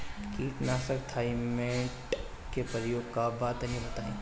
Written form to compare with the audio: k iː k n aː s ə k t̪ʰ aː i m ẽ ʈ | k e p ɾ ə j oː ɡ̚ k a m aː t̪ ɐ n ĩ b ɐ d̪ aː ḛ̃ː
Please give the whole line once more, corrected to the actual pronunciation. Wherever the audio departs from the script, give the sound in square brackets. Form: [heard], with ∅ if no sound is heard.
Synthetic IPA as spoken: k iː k n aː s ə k t̪ʰ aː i m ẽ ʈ | k e p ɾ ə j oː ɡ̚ k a [b] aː t̪ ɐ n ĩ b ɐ [t̪] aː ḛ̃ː